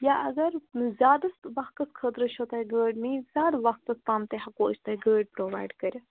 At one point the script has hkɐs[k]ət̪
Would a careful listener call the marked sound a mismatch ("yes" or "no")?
yes